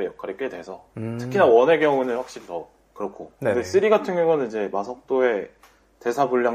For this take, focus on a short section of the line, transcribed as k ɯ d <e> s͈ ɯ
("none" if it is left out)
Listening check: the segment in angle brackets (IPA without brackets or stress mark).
e